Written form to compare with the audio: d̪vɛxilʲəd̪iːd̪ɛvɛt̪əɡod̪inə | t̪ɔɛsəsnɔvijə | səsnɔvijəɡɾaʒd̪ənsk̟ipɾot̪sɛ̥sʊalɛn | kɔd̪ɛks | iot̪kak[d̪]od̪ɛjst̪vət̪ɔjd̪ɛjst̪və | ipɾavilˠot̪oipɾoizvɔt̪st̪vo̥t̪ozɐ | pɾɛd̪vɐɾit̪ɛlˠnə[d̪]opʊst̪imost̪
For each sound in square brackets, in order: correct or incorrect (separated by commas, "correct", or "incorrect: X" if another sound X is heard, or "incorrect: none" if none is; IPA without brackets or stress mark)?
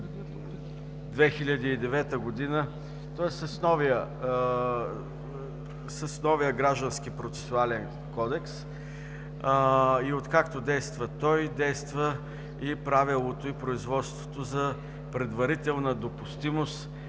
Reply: incorrect: t̪, correct